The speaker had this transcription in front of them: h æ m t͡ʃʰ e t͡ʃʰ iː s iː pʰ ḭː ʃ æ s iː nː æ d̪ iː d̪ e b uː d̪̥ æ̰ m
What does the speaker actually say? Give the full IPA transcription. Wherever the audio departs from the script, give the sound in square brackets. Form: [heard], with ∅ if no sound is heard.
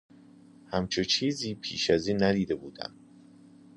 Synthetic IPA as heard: h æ m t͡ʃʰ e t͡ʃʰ iː [z] iː pʰ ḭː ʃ æ [z] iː nː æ d̪ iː d̪ e b uː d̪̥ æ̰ m